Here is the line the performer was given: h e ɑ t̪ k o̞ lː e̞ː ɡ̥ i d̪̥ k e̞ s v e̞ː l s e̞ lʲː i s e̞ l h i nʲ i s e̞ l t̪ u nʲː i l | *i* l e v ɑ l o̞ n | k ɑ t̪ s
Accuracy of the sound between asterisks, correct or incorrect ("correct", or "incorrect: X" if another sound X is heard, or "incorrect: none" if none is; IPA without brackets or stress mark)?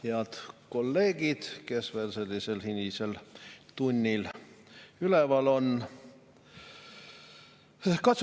incorrect: y